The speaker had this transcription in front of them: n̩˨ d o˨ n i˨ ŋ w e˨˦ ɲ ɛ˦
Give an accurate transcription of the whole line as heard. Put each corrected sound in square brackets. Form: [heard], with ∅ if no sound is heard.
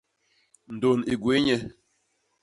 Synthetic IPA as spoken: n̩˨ d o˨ n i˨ [ɡ] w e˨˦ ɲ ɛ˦